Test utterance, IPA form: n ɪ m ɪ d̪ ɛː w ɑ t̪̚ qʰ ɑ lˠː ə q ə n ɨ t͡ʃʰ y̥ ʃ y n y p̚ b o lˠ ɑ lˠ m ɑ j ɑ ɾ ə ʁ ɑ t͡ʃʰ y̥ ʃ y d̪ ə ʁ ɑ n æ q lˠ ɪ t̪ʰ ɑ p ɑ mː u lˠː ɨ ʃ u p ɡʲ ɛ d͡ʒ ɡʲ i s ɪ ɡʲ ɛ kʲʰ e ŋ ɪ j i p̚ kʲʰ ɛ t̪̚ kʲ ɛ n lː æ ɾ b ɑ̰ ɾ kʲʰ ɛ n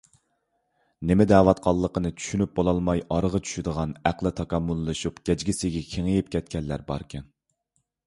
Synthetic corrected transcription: n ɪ m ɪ d̪ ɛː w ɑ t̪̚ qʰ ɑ lˠː ə q ə n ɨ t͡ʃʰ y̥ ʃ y n y p̚ b o lˠ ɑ lˠ m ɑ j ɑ ɾ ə ʁ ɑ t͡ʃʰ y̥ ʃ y d̪ ə ʁ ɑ n æ q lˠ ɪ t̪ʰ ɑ k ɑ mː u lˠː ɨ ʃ u p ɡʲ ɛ d͡ʒ ɡʲ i s ɪ ɡʲ ɛ kʲʰ e ŋ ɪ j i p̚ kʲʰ ɛ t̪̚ kʲ ɛ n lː æ ɾ b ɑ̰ ɾ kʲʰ ɛ n